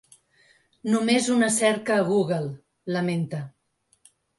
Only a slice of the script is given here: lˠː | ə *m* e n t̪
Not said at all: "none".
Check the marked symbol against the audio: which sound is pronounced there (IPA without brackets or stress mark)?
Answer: m